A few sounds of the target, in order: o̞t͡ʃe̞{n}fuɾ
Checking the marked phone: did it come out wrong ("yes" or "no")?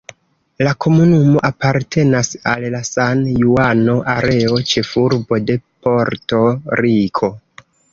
yes